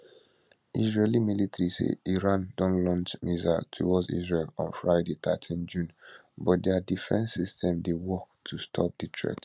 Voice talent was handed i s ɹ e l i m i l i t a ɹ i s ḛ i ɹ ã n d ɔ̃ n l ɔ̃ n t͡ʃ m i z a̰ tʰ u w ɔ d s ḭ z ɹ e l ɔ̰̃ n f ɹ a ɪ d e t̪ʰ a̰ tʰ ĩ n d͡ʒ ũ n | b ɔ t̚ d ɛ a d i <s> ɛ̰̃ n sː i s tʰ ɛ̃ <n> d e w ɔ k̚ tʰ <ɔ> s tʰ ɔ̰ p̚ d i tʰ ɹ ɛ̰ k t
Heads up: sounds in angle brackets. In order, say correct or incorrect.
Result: incorrect: f, incorrect: m, incorrect: u

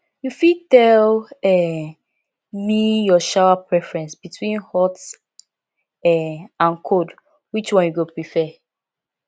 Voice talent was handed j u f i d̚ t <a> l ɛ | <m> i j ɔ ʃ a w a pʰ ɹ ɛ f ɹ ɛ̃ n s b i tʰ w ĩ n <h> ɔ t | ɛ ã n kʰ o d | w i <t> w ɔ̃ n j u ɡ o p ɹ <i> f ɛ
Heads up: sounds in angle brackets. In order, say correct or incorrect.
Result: incorrect: ɛ, correct, correct, incorrect: t͡ʃ, correct

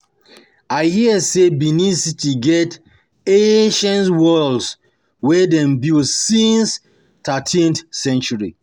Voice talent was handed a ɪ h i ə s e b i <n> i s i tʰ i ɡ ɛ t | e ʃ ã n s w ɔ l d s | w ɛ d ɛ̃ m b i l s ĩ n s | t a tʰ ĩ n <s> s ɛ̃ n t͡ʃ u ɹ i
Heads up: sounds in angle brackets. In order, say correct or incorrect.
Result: correct, incorrect: θ

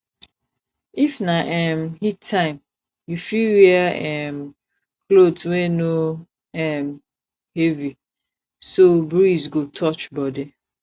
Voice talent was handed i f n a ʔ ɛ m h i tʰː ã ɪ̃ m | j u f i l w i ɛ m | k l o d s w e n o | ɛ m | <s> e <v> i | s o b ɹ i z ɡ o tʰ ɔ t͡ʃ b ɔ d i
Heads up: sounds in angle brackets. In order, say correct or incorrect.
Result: incorrect: h, correct

